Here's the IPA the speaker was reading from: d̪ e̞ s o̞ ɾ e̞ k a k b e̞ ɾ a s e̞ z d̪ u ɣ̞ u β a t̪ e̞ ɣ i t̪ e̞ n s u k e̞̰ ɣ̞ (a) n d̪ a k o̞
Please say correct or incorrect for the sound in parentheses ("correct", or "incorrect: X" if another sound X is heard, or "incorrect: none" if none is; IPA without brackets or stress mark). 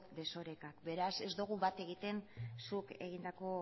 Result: incorrect: i